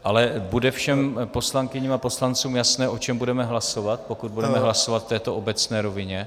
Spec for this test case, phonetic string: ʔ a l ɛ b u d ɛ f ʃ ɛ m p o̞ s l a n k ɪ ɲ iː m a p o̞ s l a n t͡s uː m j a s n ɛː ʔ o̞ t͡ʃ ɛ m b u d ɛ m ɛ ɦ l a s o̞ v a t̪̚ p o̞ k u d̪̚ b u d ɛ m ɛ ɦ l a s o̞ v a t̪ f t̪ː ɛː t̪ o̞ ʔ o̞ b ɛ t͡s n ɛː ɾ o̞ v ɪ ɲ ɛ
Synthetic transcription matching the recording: ʔ a l ɛ b u d ɛ f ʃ ɛ m p o̞ s l a ŋ k ɪ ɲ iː m a p o̞ s l a n t͡s uː m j a s n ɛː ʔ o̞ t͡ʃ ɛ m b u d ɛ m ɛ ɦ l a s o̞ v a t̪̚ p o̞ k u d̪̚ b u d ɛ m ɛ ɦ l a s o̞ v a t̪ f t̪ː ɛː t̪ o̞ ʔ o̞ b ɛ t͡s n ɛː ɾ o̞ v ɪ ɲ ɛ